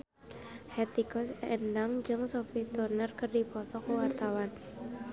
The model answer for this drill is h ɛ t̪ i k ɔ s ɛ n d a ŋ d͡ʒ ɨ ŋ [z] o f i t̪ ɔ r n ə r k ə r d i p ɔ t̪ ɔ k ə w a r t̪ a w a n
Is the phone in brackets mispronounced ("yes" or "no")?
yes